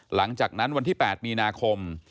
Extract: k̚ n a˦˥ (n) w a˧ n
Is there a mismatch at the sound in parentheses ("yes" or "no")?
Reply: no